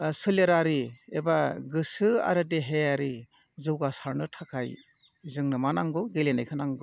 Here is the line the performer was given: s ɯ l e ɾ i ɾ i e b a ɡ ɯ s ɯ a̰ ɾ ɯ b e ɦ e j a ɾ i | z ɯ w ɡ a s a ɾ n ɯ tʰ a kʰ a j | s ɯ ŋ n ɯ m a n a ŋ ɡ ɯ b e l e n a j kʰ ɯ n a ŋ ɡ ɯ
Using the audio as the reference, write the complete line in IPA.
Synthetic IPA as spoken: s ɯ l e ɾ a ɾ i e b a ɡ ɯ s ɯ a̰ ɾ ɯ d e ɦ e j a ɾ i | z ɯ w ɡ a s a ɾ n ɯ tʰ a kʰ a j | z ɯ ŋ n ɯ m a n a ŋ ɡ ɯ ɡ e l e n a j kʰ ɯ n a ŋ ɡ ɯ